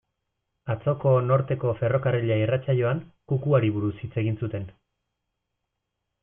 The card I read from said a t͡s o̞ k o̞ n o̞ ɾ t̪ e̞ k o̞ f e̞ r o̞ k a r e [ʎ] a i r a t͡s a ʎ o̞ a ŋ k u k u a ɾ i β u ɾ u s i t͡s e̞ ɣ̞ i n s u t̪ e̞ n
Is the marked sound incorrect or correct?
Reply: correct